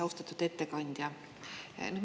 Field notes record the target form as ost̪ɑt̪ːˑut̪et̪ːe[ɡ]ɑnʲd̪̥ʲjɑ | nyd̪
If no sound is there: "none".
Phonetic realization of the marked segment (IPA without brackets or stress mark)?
k